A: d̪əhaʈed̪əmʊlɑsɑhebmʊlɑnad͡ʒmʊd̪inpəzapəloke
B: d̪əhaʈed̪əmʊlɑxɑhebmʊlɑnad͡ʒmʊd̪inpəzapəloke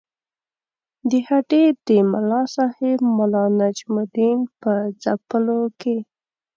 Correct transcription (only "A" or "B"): A